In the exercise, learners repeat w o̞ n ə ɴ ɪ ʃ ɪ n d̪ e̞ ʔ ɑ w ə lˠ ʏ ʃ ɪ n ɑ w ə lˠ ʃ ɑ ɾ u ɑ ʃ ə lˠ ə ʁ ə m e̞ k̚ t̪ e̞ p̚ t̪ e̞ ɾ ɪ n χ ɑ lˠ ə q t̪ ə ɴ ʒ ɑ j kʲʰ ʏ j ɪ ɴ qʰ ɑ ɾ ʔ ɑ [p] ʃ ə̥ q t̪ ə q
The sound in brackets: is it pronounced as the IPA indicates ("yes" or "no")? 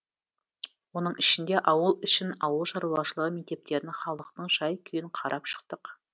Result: yes